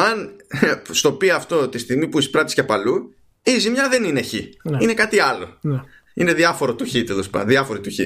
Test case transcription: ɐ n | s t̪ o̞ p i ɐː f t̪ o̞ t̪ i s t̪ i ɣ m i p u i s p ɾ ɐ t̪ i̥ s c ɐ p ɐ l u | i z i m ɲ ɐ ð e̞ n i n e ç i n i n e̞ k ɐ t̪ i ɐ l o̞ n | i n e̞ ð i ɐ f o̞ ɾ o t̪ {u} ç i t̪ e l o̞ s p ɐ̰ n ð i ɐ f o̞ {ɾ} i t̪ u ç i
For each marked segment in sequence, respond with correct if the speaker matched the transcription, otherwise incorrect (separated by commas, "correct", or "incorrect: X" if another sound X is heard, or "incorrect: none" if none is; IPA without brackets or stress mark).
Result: correct, correct